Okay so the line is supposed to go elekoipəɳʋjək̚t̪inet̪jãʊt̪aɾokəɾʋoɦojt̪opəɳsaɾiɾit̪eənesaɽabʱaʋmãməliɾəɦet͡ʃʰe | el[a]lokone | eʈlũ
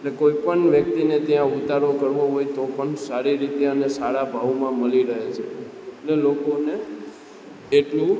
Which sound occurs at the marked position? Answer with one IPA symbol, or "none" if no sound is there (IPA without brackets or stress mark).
e